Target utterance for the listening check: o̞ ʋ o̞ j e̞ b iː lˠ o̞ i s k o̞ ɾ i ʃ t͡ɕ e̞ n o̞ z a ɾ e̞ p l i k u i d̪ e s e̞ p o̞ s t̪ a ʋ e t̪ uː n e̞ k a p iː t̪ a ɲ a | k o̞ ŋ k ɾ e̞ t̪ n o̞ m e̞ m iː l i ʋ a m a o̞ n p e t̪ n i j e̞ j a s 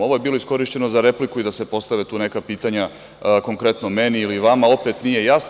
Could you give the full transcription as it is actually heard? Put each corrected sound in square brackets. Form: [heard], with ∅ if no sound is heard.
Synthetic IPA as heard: o̞ ʋ o̞ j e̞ b iː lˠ o̞ i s k o̞ ɾ i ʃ t͡ɕ e̞ n o̞ z a ɾ e̞ p l i k u i d̪ [a] s e̞ p o̞ s t̪ a ʋ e t̪ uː n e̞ k a p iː t̪ a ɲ a | k o̞ ŋ k ɾ e̞ t̪ n o̞ m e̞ [n] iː l i ʋ a m a o̞ [∅] p e t̪ n i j e̞ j a s